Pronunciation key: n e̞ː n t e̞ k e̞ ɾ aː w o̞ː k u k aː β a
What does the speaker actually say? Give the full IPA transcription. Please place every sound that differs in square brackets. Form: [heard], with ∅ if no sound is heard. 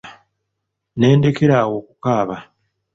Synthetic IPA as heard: n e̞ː n [d] e̞ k e̞ ɾ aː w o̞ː k u k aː β a